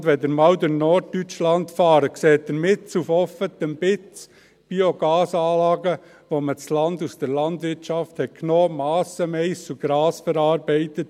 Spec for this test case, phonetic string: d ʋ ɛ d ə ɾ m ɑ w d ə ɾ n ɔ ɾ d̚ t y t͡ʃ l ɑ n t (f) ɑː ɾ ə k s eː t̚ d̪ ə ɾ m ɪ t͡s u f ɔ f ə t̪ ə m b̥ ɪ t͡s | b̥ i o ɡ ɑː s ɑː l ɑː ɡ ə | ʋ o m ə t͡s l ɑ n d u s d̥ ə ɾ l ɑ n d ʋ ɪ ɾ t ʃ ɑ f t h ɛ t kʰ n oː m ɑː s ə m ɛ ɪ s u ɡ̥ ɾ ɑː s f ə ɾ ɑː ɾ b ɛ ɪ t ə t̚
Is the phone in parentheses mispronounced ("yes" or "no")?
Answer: no